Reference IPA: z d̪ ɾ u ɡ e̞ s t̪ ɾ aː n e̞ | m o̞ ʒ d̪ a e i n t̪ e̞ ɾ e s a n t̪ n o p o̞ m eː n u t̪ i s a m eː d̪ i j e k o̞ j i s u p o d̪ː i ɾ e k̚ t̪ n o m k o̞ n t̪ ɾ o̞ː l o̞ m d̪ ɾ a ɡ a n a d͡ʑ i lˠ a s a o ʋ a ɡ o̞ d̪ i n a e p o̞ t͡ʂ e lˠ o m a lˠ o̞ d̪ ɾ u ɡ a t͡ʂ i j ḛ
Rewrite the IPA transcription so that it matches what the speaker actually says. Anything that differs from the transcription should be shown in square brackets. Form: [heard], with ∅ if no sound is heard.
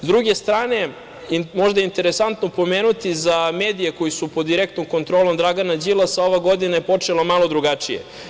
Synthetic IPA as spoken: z d̪ ɾ u ɡ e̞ s t̪ ɾ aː n e̞ | m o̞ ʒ d̪ a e i n t̪ e̞ ɾ e s a n t̪ n o p o̞ m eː n u t̪ i [z] a m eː d̪ i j e k o̞ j i s u p o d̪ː i ɾ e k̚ t̪ n o m k o̞ n t̪ ɾ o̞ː l o̞ m d̪ ɾ a ɡ a n a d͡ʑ i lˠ a s a o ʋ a ɡ o̞ d̪ i n a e p o̞ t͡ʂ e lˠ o m a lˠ o̞ d̪ ɾ u ɡ a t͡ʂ i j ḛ